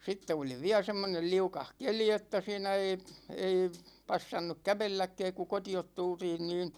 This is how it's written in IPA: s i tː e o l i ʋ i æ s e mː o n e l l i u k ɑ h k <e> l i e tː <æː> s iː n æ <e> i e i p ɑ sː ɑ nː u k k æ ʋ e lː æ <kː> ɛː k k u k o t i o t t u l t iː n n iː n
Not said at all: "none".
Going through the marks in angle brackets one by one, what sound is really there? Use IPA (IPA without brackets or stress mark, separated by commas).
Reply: e, æ, e, kː